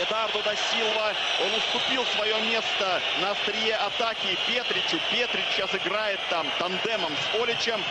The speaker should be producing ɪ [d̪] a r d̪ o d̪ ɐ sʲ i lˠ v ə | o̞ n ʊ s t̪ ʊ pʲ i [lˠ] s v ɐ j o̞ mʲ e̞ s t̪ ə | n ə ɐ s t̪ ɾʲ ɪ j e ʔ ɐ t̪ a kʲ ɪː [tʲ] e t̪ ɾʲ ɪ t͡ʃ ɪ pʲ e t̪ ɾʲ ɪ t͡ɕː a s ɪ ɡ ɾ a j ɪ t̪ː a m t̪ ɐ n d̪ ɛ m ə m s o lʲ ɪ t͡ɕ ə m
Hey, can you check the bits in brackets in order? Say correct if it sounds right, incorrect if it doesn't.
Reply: correct, correct, incorrect: pʲ

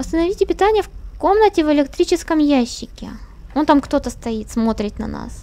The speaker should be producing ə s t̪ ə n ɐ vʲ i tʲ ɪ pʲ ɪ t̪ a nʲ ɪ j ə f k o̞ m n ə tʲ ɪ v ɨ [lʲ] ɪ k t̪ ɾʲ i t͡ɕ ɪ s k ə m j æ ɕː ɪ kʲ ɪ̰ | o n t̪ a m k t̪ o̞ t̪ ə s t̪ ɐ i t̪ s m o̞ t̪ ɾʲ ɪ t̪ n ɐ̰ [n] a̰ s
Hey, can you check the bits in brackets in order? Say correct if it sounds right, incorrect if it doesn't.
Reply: correct, correct

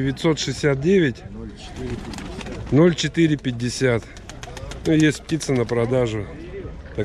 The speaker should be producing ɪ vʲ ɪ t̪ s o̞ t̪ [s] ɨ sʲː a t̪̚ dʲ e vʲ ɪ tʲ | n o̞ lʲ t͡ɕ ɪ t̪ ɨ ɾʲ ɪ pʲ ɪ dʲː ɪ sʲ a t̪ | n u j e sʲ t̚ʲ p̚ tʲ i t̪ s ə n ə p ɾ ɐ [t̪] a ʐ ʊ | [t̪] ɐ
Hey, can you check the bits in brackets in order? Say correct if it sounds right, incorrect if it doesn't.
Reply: incorrect: ʂ, incorrect: d̪, correct

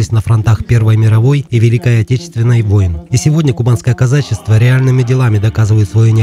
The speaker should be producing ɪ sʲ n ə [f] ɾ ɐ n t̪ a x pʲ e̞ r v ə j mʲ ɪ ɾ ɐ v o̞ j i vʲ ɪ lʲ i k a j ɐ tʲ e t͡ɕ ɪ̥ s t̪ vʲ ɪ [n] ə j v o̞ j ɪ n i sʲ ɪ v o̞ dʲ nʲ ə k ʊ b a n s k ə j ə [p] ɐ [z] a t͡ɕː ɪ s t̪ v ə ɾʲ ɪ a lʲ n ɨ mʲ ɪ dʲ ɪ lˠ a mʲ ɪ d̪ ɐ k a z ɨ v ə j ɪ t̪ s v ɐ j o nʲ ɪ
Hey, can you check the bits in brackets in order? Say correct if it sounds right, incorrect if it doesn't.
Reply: correct, incorrect: nː, incorrect: k, correct

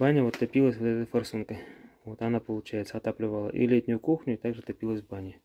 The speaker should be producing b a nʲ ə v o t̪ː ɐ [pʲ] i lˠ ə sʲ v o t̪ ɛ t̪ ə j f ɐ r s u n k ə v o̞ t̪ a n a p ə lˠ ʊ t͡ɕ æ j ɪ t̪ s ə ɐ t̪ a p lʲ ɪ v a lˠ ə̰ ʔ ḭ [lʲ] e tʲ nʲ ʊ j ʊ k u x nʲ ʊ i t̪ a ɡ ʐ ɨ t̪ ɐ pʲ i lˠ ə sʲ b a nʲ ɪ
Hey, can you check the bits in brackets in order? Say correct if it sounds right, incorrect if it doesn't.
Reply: correct, correct

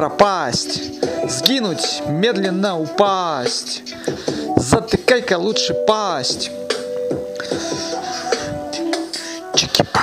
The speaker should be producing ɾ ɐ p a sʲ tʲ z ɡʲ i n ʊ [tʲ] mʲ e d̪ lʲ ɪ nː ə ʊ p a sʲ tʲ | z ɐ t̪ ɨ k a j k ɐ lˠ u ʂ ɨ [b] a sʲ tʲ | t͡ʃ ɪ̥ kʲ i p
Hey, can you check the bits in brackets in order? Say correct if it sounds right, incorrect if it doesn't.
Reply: correct, incorrect: p

